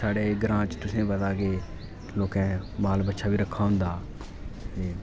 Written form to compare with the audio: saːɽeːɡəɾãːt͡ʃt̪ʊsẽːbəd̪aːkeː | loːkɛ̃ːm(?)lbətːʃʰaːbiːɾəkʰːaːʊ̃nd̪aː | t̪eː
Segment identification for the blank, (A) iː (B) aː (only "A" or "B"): B